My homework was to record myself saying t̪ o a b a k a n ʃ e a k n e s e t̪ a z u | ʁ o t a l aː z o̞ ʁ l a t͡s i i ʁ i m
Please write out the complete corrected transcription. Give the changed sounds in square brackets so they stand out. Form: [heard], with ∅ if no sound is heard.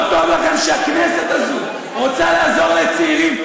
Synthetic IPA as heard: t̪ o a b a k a n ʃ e a k n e s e t̪ a z u | ʁ o [t͡s] a l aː z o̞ ʁ l [e] t͡s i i ʁ i m